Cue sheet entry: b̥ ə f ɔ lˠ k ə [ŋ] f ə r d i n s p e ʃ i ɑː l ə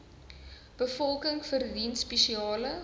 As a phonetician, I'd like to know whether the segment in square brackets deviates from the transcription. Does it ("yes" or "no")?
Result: no